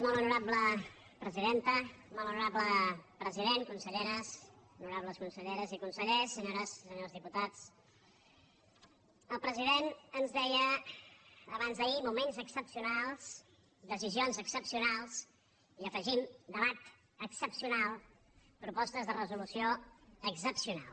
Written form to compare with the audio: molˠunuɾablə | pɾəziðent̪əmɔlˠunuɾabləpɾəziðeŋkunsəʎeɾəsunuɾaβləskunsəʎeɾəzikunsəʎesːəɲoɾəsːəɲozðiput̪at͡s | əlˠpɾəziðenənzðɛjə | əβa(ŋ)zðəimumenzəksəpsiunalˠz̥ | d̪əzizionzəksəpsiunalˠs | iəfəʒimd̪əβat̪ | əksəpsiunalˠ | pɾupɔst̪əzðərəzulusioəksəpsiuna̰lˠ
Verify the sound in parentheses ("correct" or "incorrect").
incorrect